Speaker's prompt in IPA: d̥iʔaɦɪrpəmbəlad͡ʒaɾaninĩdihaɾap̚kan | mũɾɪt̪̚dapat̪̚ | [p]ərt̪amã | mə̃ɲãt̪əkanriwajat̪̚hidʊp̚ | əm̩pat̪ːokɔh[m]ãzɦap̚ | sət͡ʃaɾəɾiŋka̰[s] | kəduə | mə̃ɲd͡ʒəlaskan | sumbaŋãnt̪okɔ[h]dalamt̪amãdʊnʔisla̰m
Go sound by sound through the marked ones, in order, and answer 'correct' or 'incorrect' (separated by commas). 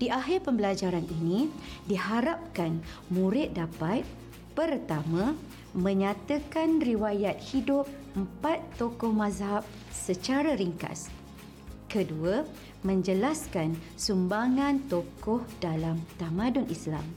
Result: correct, correct, correct, correct